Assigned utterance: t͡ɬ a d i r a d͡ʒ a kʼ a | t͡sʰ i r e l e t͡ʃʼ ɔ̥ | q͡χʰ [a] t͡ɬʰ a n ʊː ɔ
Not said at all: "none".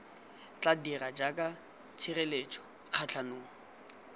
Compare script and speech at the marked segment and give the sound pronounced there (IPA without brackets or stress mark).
a